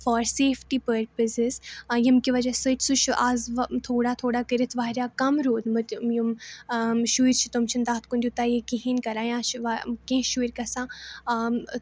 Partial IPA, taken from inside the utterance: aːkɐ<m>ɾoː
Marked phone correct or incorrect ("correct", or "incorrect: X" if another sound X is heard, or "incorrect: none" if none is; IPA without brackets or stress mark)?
correct